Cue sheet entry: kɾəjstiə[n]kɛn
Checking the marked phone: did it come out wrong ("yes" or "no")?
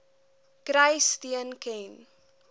no